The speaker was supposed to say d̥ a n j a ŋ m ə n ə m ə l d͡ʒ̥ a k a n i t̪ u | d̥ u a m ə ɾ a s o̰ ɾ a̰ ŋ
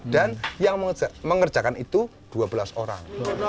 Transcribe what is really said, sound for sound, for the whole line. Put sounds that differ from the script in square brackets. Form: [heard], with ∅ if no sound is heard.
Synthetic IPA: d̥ a n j a ŋ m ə [m] ə [ŋ] ə [r] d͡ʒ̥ a k a n i t̪ u | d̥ u a [b] ə [l] a s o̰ ɾ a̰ ŋ